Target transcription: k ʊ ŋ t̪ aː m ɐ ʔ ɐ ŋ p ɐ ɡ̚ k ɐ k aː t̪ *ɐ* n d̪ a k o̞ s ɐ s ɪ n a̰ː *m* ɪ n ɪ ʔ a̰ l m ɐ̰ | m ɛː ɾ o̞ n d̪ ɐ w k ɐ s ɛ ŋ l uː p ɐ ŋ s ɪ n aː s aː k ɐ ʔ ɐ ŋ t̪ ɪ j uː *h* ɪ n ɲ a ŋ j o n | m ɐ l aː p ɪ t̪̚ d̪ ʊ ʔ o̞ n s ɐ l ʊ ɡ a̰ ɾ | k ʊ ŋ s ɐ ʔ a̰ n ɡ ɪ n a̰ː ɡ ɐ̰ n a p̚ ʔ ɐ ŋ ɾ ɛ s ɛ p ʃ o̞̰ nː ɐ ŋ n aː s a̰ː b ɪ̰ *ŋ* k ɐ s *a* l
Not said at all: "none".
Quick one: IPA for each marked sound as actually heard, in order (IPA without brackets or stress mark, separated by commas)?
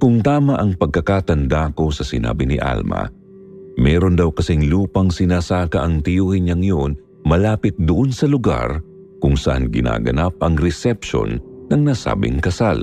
ɐ, b, h, ŋ, a